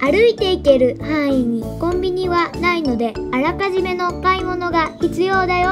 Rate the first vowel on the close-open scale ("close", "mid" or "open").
open